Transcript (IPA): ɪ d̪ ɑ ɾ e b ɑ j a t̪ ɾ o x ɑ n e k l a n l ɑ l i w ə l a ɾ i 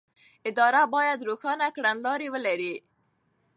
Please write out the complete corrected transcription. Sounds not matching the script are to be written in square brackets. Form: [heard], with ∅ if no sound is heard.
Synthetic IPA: ɪ d̪ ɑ ɾ [a] b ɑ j a [d̪] ɾ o x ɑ n [a] k [ɽ] a n l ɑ [ɾ] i w ə l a ɾ i